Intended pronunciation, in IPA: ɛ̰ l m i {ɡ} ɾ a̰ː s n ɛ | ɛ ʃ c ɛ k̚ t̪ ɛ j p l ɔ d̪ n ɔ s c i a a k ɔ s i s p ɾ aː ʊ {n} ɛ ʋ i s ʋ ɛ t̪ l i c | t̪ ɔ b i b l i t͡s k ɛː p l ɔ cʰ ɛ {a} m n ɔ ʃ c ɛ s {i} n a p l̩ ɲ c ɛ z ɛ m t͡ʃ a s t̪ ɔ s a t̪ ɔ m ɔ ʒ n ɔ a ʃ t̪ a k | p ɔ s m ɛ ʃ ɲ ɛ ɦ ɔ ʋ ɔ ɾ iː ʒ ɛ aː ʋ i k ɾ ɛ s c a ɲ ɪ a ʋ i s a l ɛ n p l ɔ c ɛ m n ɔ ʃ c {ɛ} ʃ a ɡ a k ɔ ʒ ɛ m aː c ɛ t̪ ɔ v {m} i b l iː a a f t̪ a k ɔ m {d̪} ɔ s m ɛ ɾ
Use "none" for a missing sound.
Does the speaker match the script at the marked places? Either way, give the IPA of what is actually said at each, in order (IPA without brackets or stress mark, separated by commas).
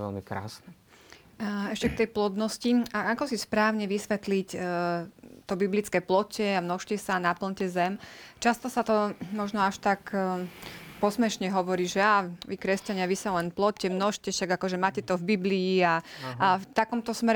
k, ɲ, a, a, ɛ, b, t̪